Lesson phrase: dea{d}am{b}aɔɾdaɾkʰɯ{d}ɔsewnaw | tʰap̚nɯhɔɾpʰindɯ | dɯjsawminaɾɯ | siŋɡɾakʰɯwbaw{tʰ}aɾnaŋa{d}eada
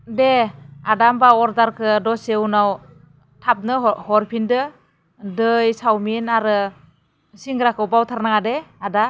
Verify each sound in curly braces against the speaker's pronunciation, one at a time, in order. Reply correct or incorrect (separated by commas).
correct, correct, correct, correct, correct